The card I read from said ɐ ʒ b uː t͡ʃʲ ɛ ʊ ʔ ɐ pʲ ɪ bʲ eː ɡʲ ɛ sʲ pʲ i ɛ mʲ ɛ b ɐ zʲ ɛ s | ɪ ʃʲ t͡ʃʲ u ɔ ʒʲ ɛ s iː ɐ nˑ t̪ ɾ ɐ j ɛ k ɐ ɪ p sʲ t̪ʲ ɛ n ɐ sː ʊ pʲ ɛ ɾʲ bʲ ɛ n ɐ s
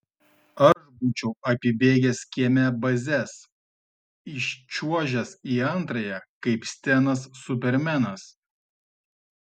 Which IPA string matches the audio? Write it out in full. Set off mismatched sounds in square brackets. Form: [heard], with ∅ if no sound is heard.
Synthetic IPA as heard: ɐ ʒ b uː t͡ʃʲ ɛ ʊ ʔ ɐ pʲ ɪ bʲ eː ɡʲ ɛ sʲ [kʲ] i ɛ mʲ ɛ b ɐ zʲ ɛ s | ɪ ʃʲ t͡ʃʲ u ɔ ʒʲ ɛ s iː ɐ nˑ t̪ ɾ ɐ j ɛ k ɐ ɪ p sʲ t̪ʲ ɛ n ɐ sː ʊ pʲ ɛ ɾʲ [mʲ] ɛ n ɐ s